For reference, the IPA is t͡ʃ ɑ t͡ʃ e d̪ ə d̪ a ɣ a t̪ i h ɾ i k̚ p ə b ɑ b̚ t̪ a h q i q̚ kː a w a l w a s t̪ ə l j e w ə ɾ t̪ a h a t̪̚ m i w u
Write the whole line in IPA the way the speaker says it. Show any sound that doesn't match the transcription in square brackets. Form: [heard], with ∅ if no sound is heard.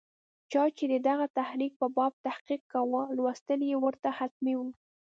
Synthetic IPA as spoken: t͡ʃ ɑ t͡ʃ e d̪ ə d̪ a ɣ a t̪ [a] h ɾ i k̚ p ə b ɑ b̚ t̪ a h q i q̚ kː a w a l w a s t̪ ə l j e w ə ɾ t̪ a h a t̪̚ m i w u